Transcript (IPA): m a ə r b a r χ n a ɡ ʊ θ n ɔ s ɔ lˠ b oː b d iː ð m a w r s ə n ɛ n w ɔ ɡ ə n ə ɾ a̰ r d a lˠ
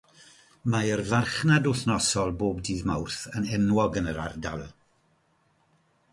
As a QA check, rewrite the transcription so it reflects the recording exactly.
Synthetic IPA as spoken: m a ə r v a r χ n a d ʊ θ n ɔ s ɔ lˠ b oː b d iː ð m a w r θ ə n ɛ n w ɔ ɡ ə n ə ɾ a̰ r d a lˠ